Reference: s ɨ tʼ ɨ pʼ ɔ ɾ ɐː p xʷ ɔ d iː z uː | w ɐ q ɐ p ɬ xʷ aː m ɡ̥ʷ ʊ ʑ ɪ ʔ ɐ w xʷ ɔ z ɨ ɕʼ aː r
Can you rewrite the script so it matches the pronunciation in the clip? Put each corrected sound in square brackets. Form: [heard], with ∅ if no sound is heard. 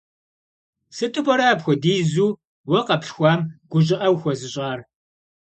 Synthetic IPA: s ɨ tʼ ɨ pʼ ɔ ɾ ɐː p xʷ ɔ d iː z uː | w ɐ q ɐ p ɬ xʷ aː m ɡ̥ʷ ʊ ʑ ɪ ʔ ɐ w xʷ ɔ z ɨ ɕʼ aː r

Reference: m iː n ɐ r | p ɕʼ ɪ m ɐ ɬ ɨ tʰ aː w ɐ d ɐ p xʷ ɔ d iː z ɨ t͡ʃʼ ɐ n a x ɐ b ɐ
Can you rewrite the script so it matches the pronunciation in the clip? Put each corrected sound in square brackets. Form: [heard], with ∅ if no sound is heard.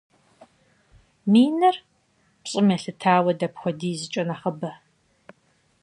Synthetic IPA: m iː n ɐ r | p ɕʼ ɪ m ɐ ɬ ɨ tʰ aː w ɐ d ɐ p xʷ ɔ d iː z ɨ t͡ʃʼ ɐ n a [χ] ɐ b ɐ

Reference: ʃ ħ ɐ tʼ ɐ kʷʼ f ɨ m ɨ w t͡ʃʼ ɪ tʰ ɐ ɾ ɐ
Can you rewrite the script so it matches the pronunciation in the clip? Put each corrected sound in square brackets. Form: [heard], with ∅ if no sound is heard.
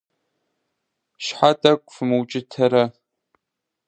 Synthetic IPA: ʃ ħ [a] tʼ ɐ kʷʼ f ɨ m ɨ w t͡ʃʼ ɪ tʰ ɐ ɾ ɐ

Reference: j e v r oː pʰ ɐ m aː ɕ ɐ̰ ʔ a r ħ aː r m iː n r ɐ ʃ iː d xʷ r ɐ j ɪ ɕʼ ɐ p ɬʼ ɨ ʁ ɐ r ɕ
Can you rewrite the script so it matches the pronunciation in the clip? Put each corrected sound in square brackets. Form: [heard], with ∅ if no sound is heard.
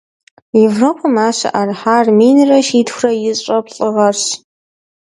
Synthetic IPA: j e v r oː pʰ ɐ m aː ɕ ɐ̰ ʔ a r ħ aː r m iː n r ɐ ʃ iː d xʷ r ɐ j ɪ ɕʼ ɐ p ɬʼ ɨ ʁ ɐ r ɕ

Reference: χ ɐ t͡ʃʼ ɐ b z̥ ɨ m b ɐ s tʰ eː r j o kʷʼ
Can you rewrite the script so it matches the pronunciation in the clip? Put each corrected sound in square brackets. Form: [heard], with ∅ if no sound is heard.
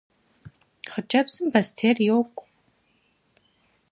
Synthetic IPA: χ [ə] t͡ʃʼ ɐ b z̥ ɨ m b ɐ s tʰ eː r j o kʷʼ

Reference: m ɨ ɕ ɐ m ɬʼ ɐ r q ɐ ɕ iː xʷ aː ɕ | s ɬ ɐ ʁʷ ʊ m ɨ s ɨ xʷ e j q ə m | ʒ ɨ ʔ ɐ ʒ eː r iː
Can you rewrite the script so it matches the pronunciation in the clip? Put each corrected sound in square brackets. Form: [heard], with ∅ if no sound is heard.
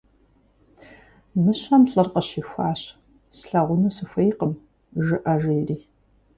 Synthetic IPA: m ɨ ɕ ɐ m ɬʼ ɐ r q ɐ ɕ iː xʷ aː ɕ | s ɬ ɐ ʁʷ ʊ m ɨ s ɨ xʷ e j q ə m | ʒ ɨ ʔ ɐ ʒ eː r iː

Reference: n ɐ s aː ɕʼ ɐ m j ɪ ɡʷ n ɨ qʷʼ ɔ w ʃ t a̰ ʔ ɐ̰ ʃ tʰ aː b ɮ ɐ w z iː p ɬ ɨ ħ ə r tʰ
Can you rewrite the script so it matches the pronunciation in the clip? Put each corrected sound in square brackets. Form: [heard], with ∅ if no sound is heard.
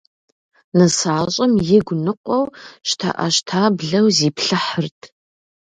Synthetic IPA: n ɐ s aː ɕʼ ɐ m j ɪ ɡʷ n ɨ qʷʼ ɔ w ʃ [tʰ] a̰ ʔ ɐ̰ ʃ tʰ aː b ɮ ɐ w z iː p ɬ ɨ ħ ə r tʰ

